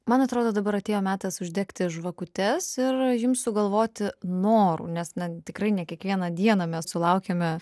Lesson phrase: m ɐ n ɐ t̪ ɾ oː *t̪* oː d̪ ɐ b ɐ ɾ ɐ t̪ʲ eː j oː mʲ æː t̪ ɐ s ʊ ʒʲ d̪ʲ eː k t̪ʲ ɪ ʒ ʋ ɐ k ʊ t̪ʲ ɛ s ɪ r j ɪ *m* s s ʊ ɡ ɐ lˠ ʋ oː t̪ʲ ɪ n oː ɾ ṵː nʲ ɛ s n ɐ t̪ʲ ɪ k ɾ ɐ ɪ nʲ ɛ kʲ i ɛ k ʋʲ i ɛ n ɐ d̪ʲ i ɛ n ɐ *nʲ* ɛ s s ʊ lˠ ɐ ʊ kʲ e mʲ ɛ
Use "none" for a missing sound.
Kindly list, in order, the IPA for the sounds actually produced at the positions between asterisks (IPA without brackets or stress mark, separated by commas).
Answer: d̪, m, mʲ